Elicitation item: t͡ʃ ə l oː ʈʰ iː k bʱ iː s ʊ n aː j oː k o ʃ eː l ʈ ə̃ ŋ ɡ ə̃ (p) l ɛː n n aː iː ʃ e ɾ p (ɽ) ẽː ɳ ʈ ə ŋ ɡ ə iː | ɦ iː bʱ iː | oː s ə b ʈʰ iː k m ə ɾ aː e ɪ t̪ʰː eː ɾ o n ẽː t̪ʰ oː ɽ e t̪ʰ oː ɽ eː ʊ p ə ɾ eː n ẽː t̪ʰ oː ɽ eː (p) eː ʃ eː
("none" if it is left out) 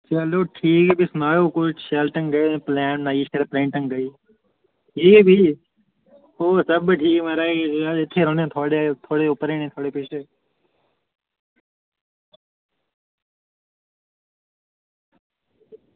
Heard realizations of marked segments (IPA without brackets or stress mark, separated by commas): p, ɾ, p